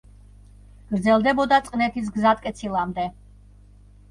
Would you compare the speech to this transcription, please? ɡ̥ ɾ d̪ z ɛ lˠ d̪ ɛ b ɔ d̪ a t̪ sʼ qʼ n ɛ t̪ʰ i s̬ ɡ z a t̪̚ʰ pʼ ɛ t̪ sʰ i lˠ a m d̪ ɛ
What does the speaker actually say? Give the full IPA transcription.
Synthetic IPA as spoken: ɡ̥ ɾ d̪ z ɛ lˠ d̪ ɛ b ɔ d̪ a t̪ sʼ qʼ n ɛ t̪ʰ i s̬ ɡ z a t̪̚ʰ kʼ ɛ t̪ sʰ i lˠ a m d̪ ɛ